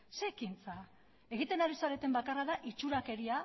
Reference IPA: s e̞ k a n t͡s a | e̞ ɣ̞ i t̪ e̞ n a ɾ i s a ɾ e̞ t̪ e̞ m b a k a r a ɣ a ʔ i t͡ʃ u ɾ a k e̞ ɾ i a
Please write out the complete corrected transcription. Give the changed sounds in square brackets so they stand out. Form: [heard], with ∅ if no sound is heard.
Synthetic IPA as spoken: s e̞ k [i] n t͡s a | e̞ ɣ̞ i t̪ e̞ n a ɾ i s a ɾ e̞ t̪ e̞ m b a k a r a [ð] a ʔ i t͡ʃ u ɾ a k e̞ ɾ i a